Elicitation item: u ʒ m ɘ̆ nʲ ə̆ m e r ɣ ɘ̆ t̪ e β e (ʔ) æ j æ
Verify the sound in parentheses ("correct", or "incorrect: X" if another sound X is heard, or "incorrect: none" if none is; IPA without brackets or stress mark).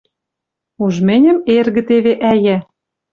correct